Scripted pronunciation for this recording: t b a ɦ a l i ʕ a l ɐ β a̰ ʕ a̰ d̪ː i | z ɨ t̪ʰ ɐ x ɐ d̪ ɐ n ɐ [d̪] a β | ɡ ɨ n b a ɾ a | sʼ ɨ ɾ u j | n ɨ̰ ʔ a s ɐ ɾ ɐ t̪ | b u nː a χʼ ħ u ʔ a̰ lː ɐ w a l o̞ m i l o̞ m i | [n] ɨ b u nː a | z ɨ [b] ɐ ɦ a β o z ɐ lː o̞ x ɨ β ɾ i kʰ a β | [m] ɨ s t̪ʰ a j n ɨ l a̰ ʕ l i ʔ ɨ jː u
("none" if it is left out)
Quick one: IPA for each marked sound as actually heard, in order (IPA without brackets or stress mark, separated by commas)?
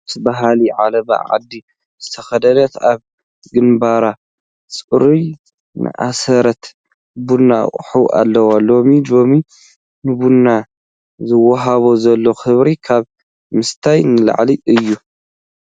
t̪, n, w, m